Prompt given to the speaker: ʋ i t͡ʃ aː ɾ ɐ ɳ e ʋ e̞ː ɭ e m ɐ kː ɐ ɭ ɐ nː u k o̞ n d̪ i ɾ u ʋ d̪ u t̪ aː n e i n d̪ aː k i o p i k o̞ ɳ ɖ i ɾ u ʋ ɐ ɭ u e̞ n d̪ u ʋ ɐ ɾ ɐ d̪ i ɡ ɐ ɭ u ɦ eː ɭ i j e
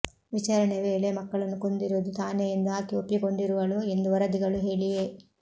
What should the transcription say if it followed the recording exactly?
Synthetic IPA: ʋ i t͡ʃ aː ɾ ɐ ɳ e ʋ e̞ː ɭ e m ɐ kː ɐ ɭ ɐ nː u k o̞ n d̪ i ɾ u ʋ d̪ u t̪ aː n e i n d̪ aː k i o p i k o̞ ɳ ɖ i ɾ u ʋ ɐ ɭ u e̞ n d̪ u ʋ ɐ ɾ ɐ d̪ i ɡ ɐ ɭ u ɦ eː ɭ i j e

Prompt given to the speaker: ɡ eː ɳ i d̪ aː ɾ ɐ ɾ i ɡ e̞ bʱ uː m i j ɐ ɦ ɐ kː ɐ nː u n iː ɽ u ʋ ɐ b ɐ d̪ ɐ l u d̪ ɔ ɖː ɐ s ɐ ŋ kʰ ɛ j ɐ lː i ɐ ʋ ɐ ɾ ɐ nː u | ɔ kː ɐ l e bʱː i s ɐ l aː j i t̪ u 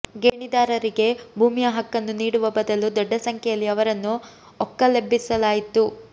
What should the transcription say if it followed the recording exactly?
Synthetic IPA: ɡ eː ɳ i d̪ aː ɾ ɐ ɾ i ɡ e̞ bʱ uː m i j ɐ ɦ ɐ kː ɐ nː u n iː ɽ u ʋ ɐ b ɐ d̪ ɐ l u d̪ ɔ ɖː ɐ s ɐ ŋ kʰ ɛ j ɐ lː i ɐ ʋ ɐ ɾ ɐ nː u | ɔ kː ɐ l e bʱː i s ɐ l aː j i t̪ u

